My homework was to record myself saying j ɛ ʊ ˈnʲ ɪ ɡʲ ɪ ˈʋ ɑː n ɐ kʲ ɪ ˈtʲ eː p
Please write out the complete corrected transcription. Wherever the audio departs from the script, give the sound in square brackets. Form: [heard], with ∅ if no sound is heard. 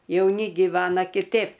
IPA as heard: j ɛ ʊ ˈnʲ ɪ ɡʲ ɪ ˈʋ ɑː n ɐ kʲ ɪ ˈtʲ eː p